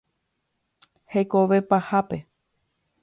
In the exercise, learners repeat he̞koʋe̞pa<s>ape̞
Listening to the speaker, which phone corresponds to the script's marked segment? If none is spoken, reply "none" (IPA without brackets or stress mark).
h